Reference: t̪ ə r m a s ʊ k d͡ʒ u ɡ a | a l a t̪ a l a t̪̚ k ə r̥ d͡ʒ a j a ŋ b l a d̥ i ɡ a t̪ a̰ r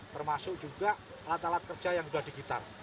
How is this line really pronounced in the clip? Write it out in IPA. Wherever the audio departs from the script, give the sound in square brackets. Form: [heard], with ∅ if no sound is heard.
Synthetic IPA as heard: t̪ ə r m a s ʊ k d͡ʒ u ɡ a | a l a t̪ a l a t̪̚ k ə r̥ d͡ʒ a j a ŋ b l a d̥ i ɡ [i] t̪ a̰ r

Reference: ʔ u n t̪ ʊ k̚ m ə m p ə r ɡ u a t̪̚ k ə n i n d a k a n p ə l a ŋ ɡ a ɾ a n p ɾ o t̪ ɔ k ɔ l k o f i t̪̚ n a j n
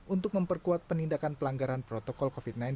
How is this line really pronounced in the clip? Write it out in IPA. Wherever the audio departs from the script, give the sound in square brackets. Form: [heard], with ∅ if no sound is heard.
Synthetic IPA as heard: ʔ u n t̪ ʊ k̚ m ə m p ə r [k] u a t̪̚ [p] ə n i n d a k a n p ə l a ŋ ɡ a ɾ a n p ɾ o t̪ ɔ k ɔ l k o f i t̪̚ n a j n

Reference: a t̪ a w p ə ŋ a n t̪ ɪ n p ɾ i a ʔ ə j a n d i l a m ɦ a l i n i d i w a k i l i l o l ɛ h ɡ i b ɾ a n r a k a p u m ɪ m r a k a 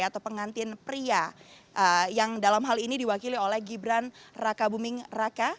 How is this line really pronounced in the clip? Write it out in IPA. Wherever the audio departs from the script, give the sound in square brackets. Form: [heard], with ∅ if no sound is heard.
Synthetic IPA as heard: a t̪ a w p ə ŋ a n t̪ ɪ n p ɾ i a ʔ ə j a [ŋ] d [a] l a m ɦ a l i n i d i w a k i l i [∅] o l ɛ h ɡ i b ɾ a n r a k a [b] u m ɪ [ŋ] r a k a

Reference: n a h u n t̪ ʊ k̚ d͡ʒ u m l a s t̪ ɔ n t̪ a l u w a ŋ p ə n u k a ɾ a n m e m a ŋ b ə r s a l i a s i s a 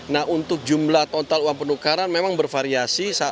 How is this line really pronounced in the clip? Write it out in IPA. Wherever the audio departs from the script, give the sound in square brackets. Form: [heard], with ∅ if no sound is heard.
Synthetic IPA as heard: n a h u n t̪ ʊ k̚ d͡ʒ u m l a [h] t̪ ɔ n t̪ a l u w a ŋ p ə n u k a ɾ a n m e m a ŋ b ə r [f] a [ɾ] i a s i s a

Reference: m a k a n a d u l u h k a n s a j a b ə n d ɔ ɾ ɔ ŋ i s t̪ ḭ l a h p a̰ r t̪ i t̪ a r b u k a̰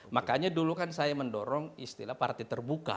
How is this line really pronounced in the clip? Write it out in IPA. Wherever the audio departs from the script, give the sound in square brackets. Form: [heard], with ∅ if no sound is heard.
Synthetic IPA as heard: m a k a [ɲ] a d u l u [∅] k a n s a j a [m] ə n d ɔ ɾ ɔ ŋ i s t̪ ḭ l a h p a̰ r t̪ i t̪ [ə] r b u k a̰

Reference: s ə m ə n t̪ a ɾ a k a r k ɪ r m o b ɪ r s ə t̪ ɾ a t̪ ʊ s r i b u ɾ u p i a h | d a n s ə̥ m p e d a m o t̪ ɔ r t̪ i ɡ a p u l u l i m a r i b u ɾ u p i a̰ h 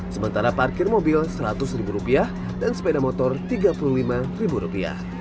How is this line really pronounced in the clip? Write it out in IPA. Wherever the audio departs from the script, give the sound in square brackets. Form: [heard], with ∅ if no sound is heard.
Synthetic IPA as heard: s ə m ə n t̪ a ɾ a [p] a r k ɪ r m o b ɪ [l] s ə [∅] ɾ a t̪ ʊ s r i b u ɾ u p i a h | d a n s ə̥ [∅] p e d a m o t̪ ɔ r t̪ i ɡ a p u l u l i m a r i b u ɾ u p i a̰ h

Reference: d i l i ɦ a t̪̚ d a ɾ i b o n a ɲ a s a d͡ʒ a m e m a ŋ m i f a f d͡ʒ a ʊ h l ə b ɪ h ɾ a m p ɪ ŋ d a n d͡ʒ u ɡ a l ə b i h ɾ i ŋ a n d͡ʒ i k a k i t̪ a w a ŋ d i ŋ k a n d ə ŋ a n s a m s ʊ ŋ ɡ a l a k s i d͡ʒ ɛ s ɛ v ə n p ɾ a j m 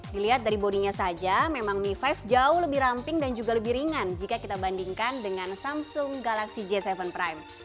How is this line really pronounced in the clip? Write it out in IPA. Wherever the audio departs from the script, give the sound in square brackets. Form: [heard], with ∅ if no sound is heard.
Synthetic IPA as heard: d i l i ɦ a t̪̚ d a ɾ i b o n [i] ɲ a s a d͡ʒ a m e m a ŋ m i f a f d͡ʒ a ʊ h l ə b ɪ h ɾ a m p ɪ ŋ d a n d͡ʒ u ɡ a l ə b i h ɾ i ŋ a n d͡ʒ i k a k i t̪ a [b] a [n] d i ŋ k a n d ə ŋ a n s a m s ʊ ŋ ɡ a l a k s i d͡ʒ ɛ s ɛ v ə n p ɾ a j m

